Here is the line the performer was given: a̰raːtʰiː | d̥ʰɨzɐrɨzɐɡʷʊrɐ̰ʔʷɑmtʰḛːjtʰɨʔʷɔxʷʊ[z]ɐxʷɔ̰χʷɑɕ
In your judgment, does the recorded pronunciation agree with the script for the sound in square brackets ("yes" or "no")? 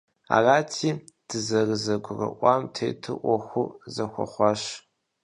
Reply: yes